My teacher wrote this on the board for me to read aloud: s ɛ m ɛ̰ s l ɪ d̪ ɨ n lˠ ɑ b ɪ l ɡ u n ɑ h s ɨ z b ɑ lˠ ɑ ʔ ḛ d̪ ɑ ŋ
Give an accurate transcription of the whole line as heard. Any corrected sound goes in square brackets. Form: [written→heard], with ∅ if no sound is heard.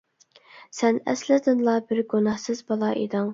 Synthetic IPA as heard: s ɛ [m→n] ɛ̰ s l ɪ d̪ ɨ n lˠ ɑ b ɪ [l→ɾ] ɡ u n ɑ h s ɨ z b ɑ lˠ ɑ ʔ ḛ d̪ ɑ ŋ